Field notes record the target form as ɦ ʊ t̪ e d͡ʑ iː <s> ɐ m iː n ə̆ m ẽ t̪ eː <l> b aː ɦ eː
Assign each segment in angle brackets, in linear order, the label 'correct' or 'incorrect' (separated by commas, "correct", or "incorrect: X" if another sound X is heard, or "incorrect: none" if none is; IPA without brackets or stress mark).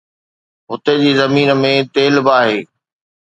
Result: incorrect: z, correct